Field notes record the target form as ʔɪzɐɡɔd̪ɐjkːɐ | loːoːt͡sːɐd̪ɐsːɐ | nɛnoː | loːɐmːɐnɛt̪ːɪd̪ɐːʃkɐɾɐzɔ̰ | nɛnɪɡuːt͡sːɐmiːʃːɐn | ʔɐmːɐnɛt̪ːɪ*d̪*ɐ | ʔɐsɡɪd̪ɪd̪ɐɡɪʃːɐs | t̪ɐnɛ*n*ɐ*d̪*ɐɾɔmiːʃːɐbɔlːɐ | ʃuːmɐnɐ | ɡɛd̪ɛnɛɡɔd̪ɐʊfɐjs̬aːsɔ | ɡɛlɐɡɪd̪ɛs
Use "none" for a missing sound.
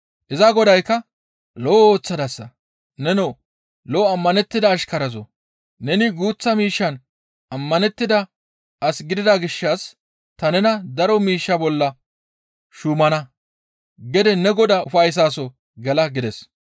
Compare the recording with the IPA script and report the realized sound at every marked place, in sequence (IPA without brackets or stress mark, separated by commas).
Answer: d̪, n, d̪